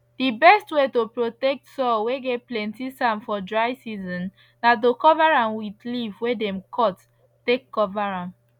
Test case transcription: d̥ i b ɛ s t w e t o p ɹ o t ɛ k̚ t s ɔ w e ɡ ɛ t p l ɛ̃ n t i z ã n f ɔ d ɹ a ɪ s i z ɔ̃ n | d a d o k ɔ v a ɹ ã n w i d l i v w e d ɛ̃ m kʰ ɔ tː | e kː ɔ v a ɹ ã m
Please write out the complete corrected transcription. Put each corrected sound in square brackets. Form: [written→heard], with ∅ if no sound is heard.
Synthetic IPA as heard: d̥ i b ɛ s t w e t o p ɹ o t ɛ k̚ t s ɔ w e ɡ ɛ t p l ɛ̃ n t i [z→s] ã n f ɔ d ɹ a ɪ s i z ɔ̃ n | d a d o k ɔ v a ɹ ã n w i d l i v w e d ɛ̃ m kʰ ɔ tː | e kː ɔ v a ɹ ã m